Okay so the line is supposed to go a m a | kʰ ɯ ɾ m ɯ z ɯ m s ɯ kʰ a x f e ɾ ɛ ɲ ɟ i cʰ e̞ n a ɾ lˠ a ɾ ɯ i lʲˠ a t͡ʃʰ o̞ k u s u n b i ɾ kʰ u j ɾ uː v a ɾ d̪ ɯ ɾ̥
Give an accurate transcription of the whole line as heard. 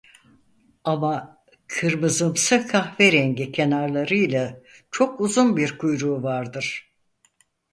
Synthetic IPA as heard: a m a | kʰ ɯ ɾ m ɯ z ɯ m s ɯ kʰ a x v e ɾ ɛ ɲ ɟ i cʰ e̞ n a ɾ lˠ a ɾ ɯ j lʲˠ a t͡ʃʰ o̞ k u z u n b i ɾ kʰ u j ɾ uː v a ɾ d̪ ɯ ɾ̥